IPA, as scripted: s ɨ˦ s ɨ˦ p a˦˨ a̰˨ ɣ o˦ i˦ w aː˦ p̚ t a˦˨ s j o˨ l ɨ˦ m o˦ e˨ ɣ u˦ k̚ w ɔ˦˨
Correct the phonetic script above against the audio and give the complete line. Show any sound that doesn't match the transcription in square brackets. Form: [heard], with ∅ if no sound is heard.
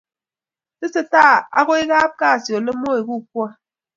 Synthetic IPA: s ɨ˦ s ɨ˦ [t] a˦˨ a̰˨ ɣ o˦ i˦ [ɣ] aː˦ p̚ [k] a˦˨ s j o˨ l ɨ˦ m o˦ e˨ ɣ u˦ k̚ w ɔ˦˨